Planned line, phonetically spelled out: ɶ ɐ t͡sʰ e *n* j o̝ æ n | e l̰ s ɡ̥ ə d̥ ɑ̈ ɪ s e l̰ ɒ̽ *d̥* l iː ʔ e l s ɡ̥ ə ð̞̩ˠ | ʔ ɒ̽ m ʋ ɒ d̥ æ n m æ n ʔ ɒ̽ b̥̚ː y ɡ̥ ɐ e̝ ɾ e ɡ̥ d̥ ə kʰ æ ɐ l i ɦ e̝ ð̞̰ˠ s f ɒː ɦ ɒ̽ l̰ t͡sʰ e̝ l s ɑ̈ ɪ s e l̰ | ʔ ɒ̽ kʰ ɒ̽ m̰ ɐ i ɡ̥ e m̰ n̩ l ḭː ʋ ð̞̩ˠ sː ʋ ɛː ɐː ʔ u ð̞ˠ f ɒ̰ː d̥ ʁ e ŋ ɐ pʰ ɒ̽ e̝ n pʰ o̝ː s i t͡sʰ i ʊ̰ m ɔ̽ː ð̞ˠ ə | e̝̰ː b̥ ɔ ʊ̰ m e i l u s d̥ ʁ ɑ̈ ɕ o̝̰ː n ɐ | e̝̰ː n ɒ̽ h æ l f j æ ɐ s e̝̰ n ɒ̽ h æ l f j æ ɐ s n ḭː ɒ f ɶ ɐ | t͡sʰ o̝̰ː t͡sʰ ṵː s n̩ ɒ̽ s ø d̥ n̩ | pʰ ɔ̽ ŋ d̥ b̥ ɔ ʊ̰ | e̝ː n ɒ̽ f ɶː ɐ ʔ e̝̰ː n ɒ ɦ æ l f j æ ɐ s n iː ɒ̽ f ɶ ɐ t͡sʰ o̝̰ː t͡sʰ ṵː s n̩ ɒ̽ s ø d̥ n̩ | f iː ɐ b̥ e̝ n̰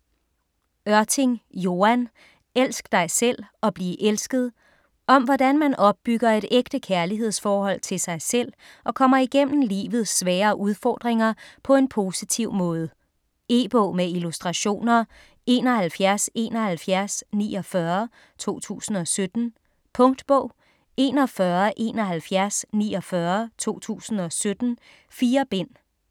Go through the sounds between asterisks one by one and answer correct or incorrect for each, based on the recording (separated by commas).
incorrect, incorrect